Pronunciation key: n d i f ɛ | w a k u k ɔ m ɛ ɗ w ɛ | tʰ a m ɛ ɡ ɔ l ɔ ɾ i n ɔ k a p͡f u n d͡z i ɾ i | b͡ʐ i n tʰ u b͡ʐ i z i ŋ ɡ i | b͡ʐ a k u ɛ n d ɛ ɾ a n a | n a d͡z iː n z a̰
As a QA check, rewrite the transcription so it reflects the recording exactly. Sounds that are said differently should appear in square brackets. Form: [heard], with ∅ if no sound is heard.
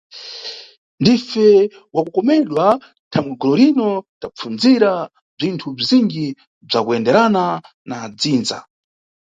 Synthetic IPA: n d i f ɛ | w a k u k ɔ m ɛ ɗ w [a] | tʰ a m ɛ ɡ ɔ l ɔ ɾ i n ɔ [t] a p͡f u n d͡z i ɾ [a] | b͡ʐ i n tʰ u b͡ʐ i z i ŋ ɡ i | b͡ʐ a k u ɛ n d ɛ ɾ a n a | n a d͡z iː n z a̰